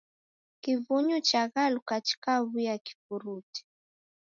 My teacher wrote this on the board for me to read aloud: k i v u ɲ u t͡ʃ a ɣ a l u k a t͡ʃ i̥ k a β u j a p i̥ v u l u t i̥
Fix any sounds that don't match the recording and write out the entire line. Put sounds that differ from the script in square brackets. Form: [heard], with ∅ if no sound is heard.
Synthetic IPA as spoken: k i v u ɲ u t͡ʃ a ɣ a l u k a t͡ʃ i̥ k a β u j a [k] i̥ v u [ɾ] u t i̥